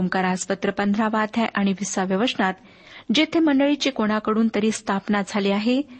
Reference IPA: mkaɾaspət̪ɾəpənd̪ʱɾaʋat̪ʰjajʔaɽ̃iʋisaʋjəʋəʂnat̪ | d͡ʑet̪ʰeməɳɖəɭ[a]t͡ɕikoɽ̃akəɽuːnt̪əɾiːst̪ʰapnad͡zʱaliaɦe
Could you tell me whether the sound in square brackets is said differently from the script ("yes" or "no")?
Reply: yes